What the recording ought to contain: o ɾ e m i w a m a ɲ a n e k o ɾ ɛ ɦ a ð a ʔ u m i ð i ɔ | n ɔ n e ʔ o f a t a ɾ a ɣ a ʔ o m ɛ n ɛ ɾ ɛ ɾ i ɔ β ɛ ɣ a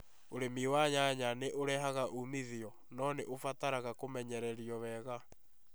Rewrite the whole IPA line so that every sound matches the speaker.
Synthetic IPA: o ɾ e m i w a ɲ a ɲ a n e ʔ o ɾ ɛ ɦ a ɣ a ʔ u m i ð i ɔ | n ɔ n e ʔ o f a t a ɾ a ɣ a k o m ɛ ɲ ɛ ɾ ɛ ɾ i ɔ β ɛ ɣ a